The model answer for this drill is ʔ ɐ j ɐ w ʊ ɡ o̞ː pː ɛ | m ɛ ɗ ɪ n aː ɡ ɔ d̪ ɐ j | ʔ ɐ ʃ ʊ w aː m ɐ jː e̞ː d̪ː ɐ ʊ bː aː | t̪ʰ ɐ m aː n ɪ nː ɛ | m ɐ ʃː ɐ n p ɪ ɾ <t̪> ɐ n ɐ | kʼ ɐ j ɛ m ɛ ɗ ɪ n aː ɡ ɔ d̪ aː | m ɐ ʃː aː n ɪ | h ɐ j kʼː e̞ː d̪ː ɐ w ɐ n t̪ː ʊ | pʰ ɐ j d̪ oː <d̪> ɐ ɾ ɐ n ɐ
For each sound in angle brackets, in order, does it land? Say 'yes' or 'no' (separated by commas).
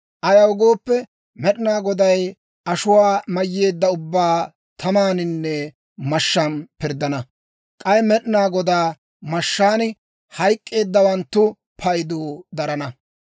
no, yes